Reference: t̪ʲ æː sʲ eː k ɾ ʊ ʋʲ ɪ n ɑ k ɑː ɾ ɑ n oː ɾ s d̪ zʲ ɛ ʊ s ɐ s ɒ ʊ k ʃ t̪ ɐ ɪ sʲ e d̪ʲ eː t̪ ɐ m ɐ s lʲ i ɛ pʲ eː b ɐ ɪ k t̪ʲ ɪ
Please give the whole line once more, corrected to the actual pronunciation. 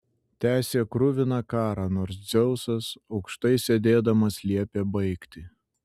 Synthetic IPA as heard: t̪ʲ æː sʲ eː k ɾ ʊ ʋʲ ɪ n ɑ k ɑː ɾ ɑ n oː ɾ s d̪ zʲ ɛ ʊ s ɐ s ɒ ʊ k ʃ t̪ ɐ ɪ sʲ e d̪ʲ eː d̪ ɐ m ɐ s lʲ i ɛ pʲ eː b ɐ ɪ k t̪ʲ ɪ